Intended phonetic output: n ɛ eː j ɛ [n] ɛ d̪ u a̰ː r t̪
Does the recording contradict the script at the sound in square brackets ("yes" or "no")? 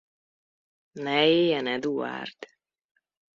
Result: no